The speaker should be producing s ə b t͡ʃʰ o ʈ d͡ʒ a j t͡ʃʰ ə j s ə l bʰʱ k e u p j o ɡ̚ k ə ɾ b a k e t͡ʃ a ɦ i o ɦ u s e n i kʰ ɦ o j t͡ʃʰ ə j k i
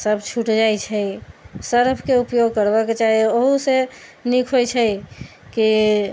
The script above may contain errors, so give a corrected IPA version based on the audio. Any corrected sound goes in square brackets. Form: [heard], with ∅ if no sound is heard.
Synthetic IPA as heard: s ə b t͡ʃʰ [u] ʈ d͡ʒ a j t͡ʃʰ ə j s ə [ɾ] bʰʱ k e u p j o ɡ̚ k ə ɾ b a k e t͡ʃ a ɦ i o ɦ u s e n i kʰ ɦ o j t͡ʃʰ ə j k i